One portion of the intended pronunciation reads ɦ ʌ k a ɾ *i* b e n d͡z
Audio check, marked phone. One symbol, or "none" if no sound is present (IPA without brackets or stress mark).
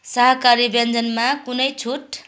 i